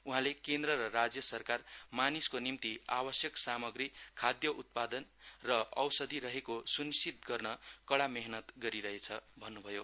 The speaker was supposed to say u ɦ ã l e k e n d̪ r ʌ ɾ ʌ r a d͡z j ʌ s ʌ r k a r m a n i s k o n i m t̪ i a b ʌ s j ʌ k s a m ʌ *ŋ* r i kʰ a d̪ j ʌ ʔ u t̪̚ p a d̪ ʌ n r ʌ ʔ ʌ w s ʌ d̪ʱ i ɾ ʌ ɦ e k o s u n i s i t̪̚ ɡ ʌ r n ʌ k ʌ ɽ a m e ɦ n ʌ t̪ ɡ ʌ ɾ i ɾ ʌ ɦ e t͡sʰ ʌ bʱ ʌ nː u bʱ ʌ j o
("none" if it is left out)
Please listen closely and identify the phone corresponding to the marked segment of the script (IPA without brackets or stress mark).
ɡ